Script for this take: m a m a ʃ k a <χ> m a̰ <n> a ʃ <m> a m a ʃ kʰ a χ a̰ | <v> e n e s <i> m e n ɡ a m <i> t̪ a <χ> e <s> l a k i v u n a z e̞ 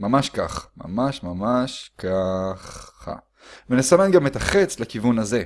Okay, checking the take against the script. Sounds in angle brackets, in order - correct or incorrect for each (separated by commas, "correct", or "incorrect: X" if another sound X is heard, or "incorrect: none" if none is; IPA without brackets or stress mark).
correct, incorrect: m, correct, correct, incorrect: a, incorrect: e, correct, incorrect: t͡s